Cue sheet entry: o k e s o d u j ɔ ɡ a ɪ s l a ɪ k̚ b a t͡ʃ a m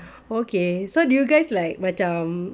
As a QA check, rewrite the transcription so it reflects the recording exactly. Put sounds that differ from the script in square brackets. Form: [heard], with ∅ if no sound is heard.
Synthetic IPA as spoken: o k e s o d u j [u] ɡ a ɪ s l a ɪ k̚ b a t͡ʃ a m